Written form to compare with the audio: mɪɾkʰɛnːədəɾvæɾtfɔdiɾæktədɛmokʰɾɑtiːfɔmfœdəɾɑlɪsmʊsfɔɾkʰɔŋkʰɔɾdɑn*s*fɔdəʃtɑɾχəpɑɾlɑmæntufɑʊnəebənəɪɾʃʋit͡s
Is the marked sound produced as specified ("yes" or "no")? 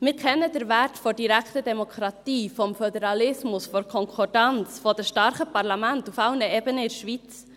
no